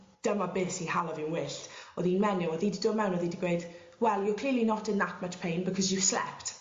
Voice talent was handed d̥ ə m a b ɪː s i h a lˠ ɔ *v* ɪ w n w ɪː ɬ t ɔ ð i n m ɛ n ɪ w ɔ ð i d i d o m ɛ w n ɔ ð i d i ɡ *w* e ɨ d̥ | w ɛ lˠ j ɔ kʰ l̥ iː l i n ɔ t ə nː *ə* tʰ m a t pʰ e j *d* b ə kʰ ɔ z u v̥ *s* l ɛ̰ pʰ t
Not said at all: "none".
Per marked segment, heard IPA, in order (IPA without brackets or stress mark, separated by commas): v, w, a, n, s